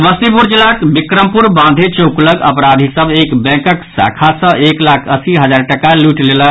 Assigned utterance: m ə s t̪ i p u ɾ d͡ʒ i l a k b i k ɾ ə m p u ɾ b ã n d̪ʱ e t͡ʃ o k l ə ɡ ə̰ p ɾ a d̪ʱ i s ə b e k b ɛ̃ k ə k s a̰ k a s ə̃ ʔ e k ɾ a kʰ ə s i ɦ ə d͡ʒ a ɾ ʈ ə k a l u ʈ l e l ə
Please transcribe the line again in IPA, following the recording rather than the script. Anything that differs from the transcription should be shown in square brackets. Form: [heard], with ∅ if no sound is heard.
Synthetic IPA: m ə s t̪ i p u ɾ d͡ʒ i l a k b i k ɾ ə m p u ɾ b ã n d̪ʱ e t͡ʃ o k l ə ɡ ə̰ p ɾ a d̪ʱ i s ə b e k b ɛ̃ k ə k s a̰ [kʰ] a s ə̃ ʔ e k [l] a kʰ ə s i ɦ ə d͡ʒ a ɾ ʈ ə k a l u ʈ l e l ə